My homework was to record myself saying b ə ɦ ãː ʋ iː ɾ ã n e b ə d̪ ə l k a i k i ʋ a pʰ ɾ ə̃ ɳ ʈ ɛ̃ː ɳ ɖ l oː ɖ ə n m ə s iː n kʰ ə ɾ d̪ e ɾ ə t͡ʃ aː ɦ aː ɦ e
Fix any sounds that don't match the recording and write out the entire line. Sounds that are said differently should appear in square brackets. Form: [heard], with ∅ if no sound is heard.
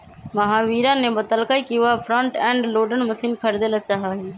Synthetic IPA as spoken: [m] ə ɦ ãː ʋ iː ɾ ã n e b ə [t̪] ə l k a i k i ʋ a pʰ ɾ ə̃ ɳ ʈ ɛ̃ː ɳ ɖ l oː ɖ ə n m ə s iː n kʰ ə ɾ d̪ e [l] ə t͡ʃ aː ɦ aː ɦ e